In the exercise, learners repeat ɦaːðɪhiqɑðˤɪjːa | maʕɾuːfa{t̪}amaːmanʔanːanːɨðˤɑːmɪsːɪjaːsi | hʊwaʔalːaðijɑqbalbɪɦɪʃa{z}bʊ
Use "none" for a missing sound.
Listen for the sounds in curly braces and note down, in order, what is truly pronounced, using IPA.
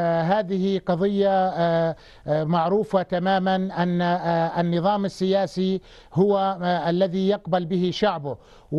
t̪, ʕ

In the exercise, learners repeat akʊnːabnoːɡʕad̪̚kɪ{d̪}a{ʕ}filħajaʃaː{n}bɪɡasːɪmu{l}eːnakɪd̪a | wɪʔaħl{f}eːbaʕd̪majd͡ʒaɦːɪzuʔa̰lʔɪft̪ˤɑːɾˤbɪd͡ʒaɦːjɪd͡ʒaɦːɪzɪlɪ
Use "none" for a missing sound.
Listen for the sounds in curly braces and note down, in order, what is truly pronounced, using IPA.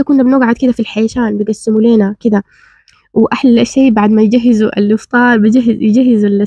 d̪, none, n, l, ʃ

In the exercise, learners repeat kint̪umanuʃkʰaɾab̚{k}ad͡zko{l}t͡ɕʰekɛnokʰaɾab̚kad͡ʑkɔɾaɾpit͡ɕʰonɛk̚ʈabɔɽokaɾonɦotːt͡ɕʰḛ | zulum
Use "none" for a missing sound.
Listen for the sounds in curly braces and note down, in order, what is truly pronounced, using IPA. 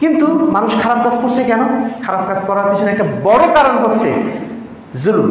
k, ɾ

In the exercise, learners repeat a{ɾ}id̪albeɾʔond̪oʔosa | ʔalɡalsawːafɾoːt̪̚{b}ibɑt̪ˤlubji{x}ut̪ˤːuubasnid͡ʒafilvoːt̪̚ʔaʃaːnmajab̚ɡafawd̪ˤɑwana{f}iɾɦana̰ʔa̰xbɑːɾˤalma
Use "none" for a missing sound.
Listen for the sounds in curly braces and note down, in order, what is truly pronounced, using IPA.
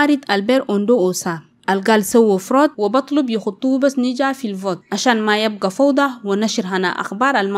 ɾ, w, x, ʃ

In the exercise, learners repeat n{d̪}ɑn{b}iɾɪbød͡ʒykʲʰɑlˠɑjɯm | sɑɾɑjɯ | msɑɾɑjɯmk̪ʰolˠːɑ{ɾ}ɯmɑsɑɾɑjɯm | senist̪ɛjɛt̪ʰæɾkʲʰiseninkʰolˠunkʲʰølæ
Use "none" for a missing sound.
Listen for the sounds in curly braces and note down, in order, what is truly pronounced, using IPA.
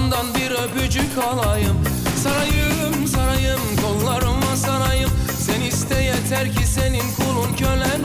d̪, b, ɾ

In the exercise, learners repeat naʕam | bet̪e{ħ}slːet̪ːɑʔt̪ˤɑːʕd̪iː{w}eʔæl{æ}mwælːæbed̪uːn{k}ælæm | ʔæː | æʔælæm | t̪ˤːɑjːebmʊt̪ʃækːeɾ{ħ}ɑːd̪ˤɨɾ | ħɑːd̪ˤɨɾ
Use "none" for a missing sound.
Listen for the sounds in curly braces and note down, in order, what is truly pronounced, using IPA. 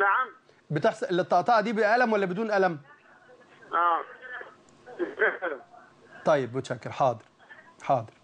ħ, b, æ, ʔ, ħ

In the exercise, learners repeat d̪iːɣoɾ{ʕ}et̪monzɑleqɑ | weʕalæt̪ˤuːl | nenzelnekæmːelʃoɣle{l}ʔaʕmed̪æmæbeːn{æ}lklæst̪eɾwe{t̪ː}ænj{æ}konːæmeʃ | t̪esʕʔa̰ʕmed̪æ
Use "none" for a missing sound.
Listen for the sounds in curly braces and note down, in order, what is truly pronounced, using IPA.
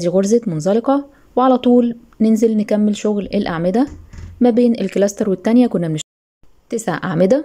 z, l, e, t̪ː, æ

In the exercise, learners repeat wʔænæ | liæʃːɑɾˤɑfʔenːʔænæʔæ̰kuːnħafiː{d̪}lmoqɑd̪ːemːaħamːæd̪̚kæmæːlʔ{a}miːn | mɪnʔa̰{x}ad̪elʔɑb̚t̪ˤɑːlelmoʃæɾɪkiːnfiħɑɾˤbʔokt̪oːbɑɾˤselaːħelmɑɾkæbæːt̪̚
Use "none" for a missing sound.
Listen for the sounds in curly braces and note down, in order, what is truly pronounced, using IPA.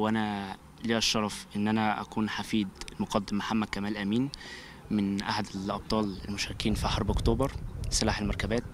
d̪, æ, ħ

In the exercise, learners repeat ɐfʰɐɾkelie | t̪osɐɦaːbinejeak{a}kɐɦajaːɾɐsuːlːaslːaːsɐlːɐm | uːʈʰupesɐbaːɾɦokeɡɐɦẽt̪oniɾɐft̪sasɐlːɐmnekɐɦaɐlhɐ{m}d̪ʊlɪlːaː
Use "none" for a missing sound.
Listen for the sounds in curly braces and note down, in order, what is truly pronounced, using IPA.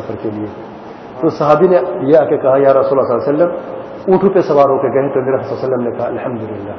e, m

